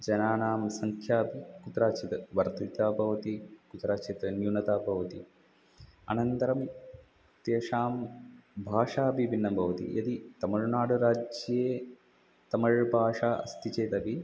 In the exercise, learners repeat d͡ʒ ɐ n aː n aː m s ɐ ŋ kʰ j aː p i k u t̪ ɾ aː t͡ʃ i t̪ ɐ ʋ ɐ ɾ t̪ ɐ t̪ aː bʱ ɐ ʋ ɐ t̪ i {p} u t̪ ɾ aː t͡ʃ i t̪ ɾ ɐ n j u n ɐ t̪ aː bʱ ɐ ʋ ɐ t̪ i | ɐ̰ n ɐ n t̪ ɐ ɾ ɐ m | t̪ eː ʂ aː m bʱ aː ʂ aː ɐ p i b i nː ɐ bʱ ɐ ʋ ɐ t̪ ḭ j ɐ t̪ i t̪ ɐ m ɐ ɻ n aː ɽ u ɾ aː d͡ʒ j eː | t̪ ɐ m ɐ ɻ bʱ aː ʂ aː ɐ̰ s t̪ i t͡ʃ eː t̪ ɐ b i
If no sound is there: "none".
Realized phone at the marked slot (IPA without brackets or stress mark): k